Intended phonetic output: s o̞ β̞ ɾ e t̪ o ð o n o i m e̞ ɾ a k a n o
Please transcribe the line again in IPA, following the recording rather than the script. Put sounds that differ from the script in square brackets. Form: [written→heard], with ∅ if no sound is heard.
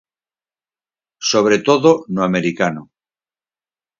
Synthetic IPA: s o̞ β̞ ɾ e t̪ o ð o n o [i→a] m e̞ ɾ [a→i] k a n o